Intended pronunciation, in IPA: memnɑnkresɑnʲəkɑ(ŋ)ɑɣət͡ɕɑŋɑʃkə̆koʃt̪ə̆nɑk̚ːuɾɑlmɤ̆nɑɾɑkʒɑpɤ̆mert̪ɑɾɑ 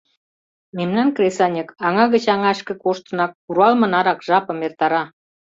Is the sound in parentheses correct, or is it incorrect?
correct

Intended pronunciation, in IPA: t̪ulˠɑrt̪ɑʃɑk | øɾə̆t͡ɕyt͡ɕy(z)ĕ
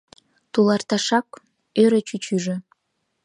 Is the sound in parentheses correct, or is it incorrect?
incorrect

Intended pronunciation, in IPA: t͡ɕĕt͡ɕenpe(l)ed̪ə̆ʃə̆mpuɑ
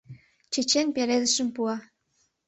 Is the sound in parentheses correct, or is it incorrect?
incorrect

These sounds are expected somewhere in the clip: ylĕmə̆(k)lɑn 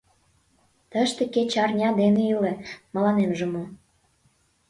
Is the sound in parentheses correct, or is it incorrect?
incorrect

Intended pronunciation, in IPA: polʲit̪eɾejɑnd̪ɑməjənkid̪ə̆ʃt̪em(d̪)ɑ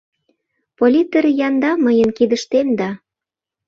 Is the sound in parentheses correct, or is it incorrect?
correct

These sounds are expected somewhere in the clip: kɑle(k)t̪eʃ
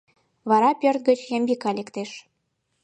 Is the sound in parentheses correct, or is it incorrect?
correct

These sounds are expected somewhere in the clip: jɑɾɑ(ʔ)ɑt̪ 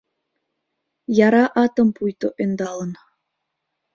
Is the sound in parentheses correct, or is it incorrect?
correct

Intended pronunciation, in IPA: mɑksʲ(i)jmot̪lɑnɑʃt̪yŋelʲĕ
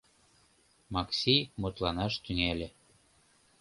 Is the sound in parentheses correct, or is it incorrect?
correct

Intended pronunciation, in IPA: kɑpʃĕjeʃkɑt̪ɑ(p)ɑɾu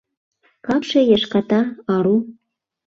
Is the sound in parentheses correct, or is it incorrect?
incorrect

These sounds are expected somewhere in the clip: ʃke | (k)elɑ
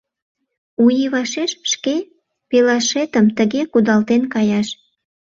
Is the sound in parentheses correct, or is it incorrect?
incorrect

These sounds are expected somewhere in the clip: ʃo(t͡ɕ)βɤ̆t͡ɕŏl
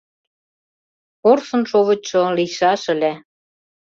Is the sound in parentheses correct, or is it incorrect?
incorrect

